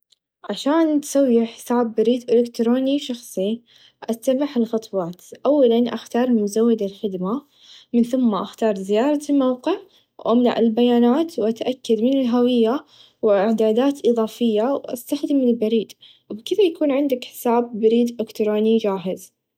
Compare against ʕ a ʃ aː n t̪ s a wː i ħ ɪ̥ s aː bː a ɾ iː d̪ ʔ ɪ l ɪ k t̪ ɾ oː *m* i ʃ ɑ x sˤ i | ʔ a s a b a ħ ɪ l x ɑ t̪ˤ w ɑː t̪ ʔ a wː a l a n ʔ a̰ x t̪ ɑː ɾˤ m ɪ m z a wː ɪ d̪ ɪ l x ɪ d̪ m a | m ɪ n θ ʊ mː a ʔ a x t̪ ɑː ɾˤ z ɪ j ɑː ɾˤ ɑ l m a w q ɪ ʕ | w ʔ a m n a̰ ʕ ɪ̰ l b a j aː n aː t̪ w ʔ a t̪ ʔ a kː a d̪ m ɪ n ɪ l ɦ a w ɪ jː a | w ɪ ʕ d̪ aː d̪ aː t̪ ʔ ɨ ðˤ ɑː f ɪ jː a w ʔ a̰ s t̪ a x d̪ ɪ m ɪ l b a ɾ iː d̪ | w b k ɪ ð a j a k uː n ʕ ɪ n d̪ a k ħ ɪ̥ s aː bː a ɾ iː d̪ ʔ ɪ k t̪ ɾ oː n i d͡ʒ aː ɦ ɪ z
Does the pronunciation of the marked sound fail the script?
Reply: yes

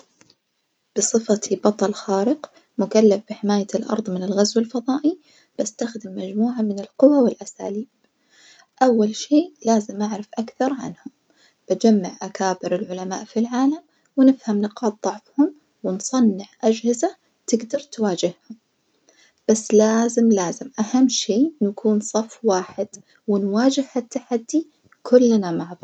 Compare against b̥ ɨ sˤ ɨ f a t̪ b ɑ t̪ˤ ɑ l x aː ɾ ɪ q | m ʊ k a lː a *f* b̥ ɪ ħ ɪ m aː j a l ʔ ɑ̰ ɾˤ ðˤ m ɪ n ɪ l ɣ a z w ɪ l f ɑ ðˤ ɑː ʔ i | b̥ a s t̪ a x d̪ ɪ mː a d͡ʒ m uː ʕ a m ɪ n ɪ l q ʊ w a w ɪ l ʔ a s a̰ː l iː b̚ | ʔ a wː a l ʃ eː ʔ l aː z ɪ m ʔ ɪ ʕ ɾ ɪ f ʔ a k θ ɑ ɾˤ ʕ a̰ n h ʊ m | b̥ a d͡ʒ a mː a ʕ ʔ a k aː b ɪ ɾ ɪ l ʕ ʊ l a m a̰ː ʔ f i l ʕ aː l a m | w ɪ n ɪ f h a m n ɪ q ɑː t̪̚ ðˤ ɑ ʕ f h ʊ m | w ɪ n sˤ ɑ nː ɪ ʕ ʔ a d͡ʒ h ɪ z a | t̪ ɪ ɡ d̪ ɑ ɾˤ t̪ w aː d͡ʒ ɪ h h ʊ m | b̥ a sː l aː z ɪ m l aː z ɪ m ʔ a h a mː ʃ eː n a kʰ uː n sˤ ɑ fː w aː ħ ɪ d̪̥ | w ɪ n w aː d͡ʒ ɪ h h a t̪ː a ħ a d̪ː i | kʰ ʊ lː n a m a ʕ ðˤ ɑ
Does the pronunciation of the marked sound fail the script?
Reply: no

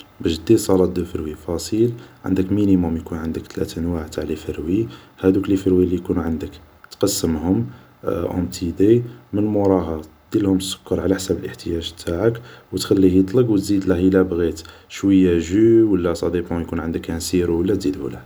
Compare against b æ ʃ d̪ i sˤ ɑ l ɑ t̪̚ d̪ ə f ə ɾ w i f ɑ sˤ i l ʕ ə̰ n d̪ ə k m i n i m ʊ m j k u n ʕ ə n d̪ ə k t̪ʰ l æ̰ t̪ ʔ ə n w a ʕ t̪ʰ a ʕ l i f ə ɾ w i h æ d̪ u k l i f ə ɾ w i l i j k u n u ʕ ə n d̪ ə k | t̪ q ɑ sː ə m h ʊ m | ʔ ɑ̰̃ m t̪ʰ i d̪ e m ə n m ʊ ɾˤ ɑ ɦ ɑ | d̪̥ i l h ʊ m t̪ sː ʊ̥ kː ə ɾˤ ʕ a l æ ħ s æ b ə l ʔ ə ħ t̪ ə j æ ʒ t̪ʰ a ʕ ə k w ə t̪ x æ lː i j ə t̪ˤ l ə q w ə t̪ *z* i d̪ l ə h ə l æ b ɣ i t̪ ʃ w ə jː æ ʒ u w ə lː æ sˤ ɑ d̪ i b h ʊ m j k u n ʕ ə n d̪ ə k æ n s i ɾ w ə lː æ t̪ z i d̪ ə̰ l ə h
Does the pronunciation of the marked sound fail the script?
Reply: no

